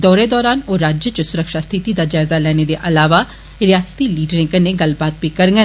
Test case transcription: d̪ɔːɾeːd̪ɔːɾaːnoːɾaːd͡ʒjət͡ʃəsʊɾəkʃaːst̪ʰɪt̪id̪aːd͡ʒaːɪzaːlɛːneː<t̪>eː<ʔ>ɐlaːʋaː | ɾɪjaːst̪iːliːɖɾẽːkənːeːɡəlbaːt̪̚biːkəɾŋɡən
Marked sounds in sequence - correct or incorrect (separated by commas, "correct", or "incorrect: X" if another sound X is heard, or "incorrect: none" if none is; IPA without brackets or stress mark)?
incorrect: d̪, correct